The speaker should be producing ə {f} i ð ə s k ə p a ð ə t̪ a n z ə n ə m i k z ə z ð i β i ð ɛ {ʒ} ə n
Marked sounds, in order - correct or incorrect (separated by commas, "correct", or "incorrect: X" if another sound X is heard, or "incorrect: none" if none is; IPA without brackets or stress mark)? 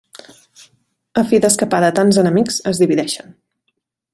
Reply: correct, incorrect: ʃ